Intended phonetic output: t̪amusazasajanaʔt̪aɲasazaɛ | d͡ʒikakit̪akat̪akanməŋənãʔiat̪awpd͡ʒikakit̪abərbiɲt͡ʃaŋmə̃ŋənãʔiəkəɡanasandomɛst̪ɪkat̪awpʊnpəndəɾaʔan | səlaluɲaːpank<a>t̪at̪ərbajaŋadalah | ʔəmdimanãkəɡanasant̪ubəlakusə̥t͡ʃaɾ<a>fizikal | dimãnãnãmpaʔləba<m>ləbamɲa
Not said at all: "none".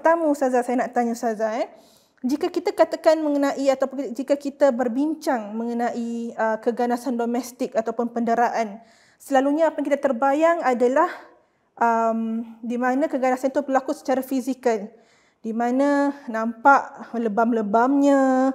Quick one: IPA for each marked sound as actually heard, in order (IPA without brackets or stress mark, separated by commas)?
i, a, m